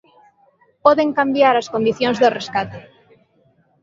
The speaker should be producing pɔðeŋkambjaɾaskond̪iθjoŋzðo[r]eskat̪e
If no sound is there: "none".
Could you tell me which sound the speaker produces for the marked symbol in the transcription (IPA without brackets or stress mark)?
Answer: r